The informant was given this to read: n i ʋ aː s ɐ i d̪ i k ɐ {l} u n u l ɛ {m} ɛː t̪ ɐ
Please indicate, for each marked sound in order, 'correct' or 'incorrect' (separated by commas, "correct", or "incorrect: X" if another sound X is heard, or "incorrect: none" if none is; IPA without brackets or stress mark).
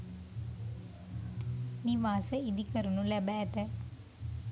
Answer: incorrect: ɾ, incorrect: b